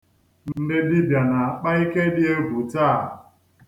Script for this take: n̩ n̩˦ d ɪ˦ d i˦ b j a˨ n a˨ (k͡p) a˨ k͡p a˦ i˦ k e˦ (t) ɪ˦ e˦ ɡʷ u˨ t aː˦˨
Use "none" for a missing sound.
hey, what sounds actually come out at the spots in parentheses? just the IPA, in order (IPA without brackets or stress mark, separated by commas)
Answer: none, d